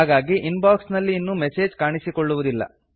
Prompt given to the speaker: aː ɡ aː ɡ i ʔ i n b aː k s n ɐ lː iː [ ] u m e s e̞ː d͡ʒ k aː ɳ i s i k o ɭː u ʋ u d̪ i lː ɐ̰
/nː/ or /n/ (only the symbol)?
nː